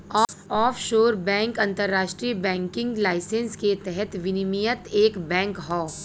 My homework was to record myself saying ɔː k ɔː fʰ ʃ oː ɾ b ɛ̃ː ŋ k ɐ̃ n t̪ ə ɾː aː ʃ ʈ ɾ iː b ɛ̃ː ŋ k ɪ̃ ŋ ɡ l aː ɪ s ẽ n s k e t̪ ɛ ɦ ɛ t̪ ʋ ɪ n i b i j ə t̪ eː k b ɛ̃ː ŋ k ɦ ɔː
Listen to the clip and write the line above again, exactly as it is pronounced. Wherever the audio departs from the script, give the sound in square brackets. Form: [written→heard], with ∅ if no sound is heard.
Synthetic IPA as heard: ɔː [k→∅] ɔː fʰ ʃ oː ɾ b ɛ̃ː ŋ k ɐ̃ n t̪ ə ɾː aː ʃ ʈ ɾ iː b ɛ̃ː ŋ k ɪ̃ ŋ ɡ l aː ɪ s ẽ n s k e t̪ ɛ ɦ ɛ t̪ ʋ ɪ n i [b→m] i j ə t̪ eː k b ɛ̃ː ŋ k ɦ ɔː